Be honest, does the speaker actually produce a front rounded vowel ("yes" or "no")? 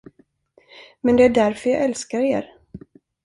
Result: yes